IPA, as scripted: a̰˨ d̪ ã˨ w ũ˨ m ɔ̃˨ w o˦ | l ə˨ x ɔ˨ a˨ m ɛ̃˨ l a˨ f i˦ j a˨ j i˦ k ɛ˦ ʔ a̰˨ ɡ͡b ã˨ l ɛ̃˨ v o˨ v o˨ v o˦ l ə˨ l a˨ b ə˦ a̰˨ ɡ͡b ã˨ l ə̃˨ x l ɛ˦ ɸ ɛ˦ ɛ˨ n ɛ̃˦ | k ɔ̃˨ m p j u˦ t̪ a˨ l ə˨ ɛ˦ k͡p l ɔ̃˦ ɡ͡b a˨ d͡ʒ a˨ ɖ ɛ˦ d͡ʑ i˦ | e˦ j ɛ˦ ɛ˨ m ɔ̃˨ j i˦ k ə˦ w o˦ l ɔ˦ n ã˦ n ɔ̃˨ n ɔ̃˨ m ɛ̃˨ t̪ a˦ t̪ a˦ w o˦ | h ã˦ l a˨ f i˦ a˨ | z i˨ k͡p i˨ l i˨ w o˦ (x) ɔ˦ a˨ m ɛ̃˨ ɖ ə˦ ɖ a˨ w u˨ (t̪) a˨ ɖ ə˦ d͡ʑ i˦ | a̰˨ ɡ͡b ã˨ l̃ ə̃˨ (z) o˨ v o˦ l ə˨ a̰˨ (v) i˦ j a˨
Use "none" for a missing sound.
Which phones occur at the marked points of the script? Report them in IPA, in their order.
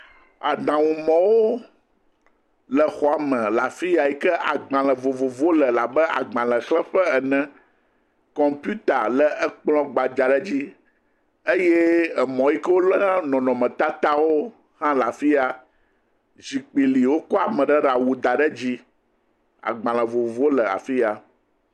k, d̪, v, f

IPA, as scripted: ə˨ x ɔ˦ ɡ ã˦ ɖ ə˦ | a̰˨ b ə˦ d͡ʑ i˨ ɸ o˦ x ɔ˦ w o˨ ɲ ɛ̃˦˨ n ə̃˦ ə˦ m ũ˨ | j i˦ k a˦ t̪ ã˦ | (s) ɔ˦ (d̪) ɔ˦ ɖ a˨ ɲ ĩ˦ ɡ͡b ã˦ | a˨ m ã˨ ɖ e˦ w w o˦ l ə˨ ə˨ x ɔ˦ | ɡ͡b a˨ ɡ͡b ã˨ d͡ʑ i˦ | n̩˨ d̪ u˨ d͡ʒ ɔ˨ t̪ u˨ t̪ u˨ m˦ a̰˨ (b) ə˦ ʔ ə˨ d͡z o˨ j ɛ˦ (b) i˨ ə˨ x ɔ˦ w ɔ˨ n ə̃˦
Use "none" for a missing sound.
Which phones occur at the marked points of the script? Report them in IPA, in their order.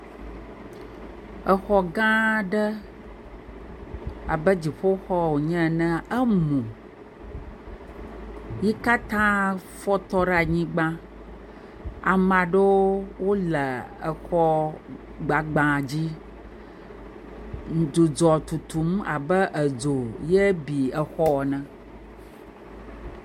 f, t̪, b, b

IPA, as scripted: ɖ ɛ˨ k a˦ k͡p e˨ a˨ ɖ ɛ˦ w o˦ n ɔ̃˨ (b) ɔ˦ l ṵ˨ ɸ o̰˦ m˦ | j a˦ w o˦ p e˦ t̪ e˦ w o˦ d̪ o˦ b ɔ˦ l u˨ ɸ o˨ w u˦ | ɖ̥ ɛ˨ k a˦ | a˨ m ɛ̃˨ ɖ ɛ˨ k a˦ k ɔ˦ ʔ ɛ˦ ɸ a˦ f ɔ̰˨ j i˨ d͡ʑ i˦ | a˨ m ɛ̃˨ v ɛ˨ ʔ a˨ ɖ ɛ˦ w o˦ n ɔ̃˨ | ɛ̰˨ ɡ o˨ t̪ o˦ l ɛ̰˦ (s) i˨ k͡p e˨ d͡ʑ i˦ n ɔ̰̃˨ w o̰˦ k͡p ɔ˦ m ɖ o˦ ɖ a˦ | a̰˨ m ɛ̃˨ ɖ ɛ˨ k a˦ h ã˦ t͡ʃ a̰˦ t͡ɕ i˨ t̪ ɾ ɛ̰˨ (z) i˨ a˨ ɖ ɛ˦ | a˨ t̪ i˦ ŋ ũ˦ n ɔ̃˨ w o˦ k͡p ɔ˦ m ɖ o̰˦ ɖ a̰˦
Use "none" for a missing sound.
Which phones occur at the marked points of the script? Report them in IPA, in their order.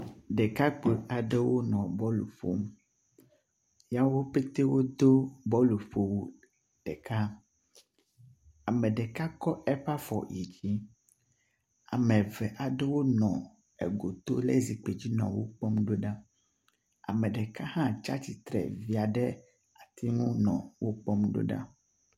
b, z, v

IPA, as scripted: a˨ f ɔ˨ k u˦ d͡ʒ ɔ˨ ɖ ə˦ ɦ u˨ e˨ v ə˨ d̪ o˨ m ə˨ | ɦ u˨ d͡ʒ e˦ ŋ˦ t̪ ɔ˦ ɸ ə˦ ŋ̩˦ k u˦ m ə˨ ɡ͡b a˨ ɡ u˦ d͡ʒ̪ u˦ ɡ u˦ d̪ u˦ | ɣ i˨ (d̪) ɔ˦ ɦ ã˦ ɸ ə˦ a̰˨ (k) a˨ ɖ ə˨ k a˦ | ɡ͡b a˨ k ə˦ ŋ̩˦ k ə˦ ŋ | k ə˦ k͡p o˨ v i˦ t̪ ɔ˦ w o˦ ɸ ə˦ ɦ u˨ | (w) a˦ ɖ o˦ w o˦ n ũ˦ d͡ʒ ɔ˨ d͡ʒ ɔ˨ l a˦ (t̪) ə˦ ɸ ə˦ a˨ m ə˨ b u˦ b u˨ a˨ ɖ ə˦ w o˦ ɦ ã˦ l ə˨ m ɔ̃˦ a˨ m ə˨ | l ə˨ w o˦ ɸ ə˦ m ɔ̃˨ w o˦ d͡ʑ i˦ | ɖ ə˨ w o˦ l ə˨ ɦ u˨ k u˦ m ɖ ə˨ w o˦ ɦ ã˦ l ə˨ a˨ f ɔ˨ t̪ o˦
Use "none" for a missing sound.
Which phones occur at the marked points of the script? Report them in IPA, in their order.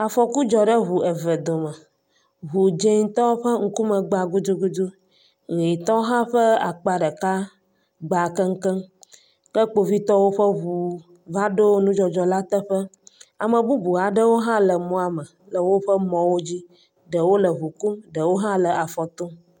t̪, k͡p, v, t̪

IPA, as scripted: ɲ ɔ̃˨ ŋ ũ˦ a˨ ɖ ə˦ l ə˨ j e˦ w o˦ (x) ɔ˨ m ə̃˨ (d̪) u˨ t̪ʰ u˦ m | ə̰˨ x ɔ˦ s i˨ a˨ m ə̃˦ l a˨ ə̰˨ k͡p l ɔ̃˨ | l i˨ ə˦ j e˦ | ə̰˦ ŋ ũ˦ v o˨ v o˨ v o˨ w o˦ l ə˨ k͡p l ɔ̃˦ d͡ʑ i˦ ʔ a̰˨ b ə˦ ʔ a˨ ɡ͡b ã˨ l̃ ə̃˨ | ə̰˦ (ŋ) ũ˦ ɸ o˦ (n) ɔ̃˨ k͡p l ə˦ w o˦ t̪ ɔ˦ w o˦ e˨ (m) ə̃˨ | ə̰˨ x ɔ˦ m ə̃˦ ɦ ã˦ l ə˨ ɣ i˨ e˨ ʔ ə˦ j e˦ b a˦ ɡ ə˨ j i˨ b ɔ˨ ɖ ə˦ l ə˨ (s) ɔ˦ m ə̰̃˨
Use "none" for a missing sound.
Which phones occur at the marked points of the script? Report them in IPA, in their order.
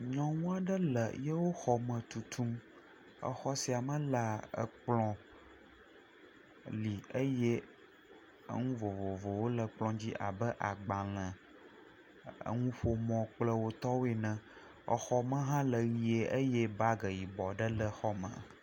x, t̪, ŋ, m, n, x

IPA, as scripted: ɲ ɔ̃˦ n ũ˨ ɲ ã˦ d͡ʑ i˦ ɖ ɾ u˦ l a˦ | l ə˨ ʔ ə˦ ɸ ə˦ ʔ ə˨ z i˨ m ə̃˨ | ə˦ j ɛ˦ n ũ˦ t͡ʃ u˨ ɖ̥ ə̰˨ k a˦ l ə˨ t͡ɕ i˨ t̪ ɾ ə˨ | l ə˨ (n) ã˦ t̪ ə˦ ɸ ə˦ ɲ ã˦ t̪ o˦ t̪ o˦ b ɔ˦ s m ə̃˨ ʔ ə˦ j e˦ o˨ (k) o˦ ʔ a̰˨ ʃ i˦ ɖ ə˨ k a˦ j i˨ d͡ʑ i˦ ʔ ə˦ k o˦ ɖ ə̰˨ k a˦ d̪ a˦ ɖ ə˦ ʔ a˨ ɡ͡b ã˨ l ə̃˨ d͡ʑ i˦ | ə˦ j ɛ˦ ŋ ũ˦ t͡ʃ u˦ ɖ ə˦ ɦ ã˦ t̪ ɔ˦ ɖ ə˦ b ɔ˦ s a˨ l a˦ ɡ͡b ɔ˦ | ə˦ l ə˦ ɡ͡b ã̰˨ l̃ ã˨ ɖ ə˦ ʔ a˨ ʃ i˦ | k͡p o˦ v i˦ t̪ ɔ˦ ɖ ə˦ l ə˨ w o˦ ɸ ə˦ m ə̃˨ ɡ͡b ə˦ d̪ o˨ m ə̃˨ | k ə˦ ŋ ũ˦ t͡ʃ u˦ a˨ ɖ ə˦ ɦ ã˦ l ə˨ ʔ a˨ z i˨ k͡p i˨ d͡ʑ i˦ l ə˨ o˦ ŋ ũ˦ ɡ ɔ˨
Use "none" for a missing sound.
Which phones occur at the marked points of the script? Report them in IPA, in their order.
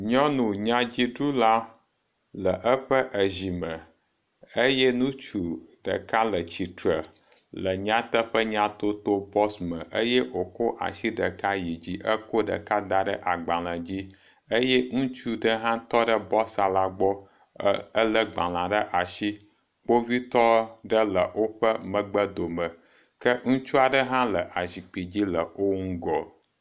ɲ, k

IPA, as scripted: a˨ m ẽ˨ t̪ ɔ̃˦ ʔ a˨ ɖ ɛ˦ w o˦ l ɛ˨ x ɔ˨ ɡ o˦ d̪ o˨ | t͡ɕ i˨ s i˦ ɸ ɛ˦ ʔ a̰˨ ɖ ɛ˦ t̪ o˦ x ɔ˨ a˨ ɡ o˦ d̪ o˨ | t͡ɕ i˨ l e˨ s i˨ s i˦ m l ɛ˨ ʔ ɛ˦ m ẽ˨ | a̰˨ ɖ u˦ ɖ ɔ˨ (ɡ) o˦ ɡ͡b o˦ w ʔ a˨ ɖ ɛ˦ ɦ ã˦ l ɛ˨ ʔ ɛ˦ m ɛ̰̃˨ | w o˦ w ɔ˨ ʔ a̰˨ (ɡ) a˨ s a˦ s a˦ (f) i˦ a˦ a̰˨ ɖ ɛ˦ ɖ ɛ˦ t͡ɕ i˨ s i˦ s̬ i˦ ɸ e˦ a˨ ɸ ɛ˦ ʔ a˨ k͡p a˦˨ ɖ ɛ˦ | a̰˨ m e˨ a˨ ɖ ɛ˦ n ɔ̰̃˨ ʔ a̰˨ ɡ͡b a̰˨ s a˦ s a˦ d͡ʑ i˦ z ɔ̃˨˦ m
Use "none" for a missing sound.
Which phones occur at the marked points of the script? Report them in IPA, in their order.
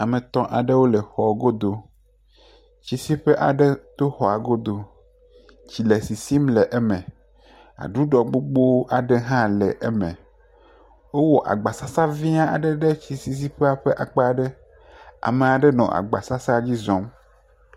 ɡ͡b, ɡ͡b, v

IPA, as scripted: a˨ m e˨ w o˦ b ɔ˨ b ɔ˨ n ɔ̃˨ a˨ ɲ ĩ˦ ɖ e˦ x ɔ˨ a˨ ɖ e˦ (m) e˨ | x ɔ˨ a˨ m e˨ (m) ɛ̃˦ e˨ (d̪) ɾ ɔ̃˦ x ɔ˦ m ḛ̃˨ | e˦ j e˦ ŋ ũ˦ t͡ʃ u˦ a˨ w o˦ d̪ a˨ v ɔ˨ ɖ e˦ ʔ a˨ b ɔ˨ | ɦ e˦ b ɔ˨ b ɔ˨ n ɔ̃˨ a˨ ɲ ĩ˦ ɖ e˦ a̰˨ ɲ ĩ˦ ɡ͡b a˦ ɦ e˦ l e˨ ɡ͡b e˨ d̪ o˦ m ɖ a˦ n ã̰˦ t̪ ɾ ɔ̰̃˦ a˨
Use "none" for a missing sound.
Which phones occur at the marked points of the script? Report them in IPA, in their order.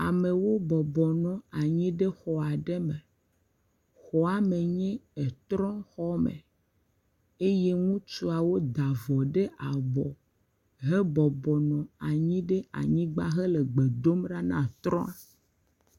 m, ɲ, t̪

